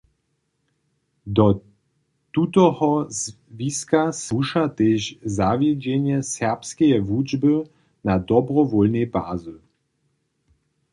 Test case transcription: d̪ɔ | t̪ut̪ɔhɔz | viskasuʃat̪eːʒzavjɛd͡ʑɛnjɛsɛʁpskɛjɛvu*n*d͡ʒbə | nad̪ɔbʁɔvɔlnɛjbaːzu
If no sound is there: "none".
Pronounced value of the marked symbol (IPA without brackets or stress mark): none